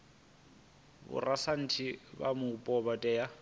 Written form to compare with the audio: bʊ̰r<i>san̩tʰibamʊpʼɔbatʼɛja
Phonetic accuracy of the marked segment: incorrect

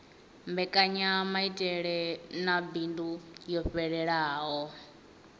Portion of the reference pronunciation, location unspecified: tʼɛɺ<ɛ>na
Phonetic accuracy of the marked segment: correct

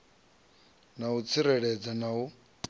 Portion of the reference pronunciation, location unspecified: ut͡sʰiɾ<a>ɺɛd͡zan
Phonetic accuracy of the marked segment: incorrect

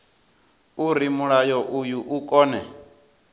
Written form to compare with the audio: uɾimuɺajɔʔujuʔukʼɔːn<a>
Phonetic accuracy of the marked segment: incorrect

